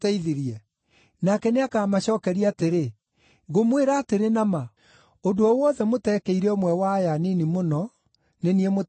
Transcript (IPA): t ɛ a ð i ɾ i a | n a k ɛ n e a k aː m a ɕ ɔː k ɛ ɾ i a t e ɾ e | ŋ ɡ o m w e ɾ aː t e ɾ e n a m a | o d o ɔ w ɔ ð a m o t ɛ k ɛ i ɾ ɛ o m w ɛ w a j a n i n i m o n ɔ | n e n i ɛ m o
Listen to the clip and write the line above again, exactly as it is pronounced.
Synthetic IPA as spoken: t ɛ i ð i ɾ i ɛ | n a k ɛ n e a k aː m a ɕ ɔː k ɛ ɾ i a t e ɾ e | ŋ ɡ o m w e ɾ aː t e ɾ e n a m a | o d o ɔ w ɔ ð ɛ m o t ɛ k ɛ i ɾ ɛ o m w ɛ w a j a n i n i m o n ɔ | n e n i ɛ m o